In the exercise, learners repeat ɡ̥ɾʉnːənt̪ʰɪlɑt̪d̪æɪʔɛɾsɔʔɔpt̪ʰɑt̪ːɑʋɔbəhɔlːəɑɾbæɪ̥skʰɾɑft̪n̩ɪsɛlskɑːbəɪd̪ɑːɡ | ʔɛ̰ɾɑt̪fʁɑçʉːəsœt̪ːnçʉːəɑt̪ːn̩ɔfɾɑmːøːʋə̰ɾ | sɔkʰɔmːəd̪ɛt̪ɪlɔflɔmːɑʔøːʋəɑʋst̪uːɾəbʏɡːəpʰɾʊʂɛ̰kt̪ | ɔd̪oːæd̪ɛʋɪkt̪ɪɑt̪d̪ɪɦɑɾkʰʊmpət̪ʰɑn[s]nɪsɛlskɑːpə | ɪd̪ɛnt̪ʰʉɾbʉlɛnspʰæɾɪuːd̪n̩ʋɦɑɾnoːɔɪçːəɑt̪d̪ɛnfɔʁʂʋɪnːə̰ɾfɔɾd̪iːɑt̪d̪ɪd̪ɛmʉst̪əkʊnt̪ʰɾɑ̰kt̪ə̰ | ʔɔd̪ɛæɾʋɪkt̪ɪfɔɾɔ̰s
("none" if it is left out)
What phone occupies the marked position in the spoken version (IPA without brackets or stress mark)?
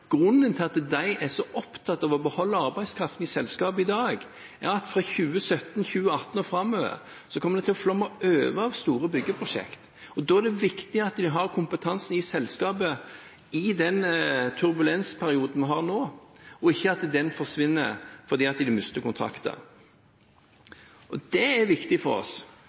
s